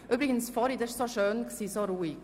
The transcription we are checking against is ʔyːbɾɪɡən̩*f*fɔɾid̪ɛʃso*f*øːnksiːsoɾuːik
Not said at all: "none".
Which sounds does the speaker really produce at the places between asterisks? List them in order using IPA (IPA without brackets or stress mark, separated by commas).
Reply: s, ʃ